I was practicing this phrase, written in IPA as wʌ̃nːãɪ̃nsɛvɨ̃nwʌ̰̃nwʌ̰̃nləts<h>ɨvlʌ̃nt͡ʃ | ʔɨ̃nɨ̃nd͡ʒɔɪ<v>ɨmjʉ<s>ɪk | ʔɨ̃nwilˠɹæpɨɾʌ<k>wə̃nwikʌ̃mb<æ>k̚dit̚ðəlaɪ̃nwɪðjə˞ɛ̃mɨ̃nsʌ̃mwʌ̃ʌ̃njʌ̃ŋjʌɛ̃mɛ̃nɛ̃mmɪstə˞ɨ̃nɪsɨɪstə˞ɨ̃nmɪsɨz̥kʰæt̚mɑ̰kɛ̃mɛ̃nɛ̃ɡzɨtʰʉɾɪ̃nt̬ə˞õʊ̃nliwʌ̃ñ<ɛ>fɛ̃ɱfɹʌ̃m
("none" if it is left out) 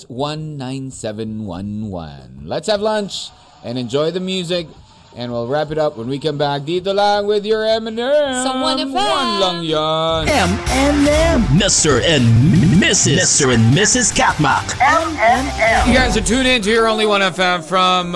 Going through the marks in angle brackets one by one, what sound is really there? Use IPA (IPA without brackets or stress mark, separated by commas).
h, ð, z, p, æ, ɛ